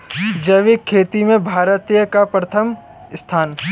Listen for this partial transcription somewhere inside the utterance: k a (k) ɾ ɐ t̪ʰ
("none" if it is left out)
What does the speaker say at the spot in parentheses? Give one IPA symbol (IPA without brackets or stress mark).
p